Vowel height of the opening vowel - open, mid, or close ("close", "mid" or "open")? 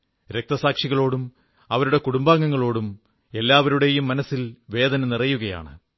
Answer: mid